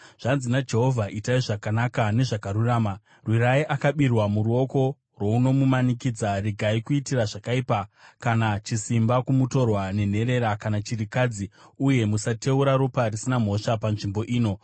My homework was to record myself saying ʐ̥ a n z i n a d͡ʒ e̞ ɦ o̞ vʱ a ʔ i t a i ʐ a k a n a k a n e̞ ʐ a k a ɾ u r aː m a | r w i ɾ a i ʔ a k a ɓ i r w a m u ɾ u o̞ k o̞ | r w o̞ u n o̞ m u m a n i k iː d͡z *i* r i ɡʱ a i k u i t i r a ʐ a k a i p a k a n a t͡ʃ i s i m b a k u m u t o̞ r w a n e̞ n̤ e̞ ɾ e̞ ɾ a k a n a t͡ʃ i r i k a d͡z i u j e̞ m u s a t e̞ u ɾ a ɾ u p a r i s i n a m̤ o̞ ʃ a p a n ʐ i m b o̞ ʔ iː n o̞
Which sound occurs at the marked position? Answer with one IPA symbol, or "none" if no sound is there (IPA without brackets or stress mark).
a